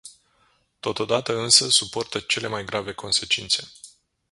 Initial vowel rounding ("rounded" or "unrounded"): rounded